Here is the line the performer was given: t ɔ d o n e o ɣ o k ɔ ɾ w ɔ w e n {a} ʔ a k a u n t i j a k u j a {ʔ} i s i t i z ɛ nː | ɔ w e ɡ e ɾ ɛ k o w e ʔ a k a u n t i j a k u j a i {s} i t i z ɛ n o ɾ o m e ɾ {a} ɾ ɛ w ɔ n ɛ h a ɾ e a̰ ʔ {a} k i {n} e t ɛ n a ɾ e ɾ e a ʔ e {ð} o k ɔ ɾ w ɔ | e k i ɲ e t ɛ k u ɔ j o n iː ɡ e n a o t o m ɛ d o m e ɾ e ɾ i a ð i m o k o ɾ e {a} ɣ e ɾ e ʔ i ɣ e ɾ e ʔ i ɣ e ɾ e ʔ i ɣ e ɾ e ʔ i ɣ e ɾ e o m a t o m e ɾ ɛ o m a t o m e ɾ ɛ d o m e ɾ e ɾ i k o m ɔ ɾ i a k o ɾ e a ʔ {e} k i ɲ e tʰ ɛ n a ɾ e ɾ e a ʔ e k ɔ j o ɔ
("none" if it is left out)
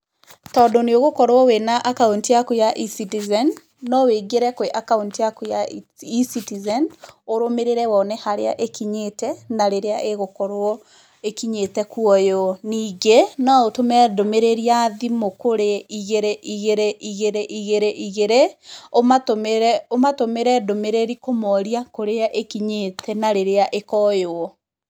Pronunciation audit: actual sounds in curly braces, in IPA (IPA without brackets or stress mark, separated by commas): a, ʔ, s, e, e, ɲ, ɣ, i, e